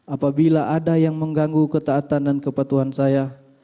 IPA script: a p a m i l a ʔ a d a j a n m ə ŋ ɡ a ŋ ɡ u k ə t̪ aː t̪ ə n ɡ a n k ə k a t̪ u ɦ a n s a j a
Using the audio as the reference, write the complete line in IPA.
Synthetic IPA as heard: a p a b i l a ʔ a d a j a ŋ m ə ŋ ɡ a ŋ ɡ u k ə t̪ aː t̪ a n d a n k ə p a t̪ u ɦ a n s a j a